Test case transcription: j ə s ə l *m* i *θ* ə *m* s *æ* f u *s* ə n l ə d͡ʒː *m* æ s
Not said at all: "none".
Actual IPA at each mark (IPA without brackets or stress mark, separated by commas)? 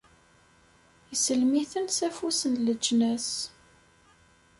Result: m, θ, n, æ, s, n